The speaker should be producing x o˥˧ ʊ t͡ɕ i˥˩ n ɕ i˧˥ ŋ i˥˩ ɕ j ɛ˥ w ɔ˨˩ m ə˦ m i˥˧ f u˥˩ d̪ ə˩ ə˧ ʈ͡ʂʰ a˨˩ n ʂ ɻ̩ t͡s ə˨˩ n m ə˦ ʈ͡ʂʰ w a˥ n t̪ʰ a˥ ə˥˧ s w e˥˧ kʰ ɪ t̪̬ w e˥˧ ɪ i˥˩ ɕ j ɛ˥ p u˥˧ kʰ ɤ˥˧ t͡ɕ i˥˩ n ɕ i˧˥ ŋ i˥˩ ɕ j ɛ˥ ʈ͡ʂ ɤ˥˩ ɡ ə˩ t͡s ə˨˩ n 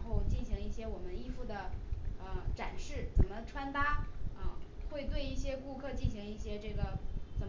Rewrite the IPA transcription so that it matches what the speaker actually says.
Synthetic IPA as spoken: x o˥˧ ʊ t͡ɕ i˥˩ n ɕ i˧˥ ŋ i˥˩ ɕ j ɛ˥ w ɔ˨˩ m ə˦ n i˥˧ f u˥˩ d̪ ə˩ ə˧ ʈ͡ʂ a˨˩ n ʂ ɻ̩ t͡s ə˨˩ n m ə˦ ʈ͡ʂʰ w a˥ n t̪ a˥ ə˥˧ x w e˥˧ ɪ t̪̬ w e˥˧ ɪ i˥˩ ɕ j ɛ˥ k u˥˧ kʰ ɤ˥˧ t͡ɕ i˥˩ n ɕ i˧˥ ŋ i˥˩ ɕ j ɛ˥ ʈ͡ʂ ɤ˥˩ ɡ ə˩ t͡s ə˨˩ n

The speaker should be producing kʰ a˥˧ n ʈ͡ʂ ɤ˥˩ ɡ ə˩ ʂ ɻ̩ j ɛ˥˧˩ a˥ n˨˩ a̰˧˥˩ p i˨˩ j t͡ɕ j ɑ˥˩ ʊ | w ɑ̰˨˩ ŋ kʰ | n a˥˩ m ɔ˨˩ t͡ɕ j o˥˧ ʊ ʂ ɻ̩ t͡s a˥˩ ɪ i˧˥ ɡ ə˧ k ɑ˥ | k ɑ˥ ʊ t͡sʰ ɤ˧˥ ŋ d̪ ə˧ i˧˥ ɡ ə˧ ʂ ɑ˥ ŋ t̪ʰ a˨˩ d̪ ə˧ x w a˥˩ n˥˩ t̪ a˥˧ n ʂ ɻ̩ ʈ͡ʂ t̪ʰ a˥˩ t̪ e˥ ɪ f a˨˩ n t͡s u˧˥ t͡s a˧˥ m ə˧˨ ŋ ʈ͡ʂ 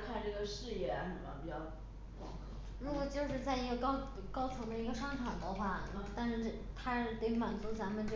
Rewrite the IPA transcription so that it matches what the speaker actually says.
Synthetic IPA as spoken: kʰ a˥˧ n ʈ͡ʂ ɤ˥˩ ɡ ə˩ ʂ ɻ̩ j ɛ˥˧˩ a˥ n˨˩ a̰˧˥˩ p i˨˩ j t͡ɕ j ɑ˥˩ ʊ | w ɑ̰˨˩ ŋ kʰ | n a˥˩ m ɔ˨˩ t͡ɕ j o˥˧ ʊ ʂ ɻ̩ t͡s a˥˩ ɪ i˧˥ ɡ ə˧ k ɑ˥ | k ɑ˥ ʊ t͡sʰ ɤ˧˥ ŋ d̪ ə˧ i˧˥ ɡ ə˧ ʂ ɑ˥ ŋ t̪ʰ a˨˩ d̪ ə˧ x w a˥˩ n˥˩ t̪ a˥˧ n ʂ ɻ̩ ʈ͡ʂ t̪ʰ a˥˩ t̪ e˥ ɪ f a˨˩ n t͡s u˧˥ t͡s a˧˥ m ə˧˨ n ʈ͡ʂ

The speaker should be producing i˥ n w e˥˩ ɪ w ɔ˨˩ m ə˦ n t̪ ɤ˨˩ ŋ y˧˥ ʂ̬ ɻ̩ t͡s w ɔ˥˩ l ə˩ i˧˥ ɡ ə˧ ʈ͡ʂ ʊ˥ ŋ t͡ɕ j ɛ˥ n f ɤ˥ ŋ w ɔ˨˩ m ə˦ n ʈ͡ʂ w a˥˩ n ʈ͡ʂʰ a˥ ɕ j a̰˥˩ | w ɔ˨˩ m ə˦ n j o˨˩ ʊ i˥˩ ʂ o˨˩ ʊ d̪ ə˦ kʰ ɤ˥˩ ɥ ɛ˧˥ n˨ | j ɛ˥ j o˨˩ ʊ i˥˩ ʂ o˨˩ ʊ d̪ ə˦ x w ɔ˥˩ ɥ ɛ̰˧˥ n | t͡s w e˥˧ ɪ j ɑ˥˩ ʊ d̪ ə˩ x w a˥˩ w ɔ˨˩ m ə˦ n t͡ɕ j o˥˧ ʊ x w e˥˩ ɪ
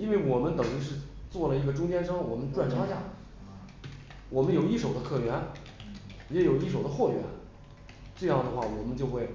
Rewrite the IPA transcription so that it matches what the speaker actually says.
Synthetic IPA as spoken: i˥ n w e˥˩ ɪ w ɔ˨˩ m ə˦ n t̪ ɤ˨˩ ŋ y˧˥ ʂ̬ ɻ̩ t͡s w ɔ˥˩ l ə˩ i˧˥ ɡ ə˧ ʈ͡ʂ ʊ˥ ŋ t͡ɕ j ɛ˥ n ʂ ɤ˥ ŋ w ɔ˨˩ m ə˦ n ʈ͡ʂ w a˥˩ n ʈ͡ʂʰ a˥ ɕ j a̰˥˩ | w ɔ˨˩ m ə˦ n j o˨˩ ʊ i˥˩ ʂ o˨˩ ʊ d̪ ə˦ kʰ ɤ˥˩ ɥ ɛ˧˥ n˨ | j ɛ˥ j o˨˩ ʊ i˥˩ ʂ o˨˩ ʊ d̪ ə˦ x w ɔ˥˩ ɥ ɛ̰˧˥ n | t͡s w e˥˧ ɪ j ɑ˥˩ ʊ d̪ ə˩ x w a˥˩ w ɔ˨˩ m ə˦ n t͡ɕ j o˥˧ ʊ x w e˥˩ ɪ

